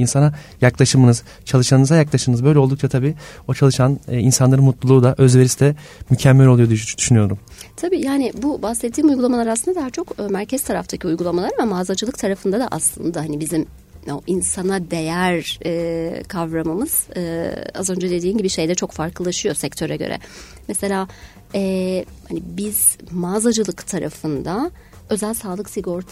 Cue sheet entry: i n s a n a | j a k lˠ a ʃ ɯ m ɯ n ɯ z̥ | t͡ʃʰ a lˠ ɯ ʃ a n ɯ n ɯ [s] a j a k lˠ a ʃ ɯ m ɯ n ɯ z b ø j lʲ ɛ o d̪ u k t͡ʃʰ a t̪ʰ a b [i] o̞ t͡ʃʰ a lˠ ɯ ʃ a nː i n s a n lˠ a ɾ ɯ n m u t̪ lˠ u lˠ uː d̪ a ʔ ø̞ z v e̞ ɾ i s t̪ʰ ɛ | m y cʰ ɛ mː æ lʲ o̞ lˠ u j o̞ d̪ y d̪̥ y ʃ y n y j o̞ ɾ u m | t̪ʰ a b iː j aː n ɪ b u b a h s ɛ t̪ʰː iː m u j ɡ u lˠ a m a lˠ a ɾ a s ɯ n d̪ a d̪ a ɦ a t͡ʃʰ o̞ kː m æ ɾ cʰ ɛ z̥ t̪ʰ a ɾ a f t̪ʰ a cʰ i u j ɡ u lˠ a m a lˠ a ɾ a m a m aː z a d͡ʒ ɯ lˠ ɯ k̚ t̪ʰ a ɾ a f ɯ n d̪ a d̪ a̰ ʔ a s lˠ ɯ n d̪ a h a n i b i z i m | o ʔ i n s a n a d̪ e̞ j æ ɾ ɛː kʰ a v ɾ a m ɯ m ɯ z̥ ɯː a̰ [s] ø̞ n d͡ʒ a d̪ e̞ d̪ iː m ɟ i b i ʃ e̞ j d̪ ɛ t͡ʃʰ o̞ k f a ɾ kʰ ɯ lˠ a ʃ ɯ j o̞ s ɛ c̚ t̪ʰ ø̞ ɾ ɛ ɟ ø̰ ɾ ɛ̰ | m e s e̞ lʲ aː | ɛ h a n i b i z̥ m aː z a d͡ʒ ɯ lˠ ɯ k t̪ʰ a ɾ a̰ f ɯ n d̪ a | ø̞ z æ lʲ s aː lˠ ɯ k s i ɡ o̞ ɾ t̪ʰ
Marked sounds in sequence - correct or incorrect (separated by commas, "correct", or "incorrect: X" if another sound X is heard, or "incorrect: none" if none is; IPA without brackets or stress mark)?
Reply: incorrect: z, incorrect: iː, incorrect: z